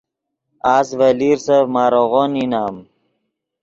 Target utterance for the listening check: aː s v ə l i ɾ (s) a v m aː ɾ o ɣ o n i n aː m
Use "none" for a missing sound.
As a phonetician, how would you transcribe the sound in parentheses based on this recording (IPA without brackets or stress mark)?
s